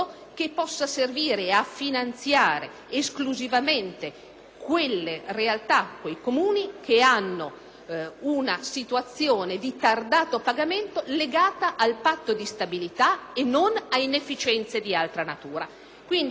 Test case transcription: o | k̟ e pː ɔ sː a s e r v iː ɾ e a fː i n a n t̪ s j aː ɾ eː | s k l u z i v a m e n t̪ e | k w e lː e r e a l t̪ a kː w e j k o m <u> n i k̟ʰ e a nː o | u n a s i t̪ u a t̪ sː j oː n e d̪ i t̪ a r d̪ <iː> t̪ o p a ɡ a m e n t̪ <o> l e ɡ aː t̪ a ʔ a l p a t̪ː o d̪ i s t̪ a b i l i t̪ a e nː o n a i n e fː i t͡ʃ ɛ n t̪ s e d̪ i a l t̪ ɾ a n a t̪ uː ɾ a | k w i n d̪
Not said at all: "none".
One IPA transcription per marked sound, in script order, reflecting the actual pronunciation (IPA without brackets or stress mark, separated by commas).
uː, aː, o